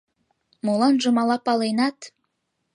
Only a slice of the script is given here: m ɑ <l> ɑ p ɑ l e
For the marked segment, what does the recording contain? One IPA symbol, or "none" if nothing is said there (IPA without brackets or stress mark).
l